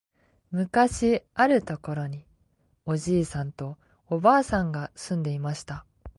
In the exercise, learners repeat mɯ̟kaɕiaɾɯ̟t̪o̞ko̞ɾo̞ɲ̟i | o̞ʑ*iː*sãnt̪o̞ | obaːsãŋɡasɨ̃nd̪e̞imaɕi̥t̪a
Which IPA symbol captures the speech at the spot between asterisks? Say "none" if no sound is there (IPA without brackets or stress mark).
iː